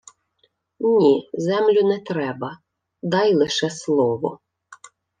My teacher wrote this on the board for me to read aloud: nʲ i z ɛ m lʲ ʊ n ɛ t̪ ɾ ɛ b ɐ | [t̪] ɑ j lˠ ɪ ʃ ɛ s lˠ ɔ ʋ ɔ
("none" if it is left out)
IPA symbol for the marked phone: d̪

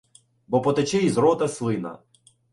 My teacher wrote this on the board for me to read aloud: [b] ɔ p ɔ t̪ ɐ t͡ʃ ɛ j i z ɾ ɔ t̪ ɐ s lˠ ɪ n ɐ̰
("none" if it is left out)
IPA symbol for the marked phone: b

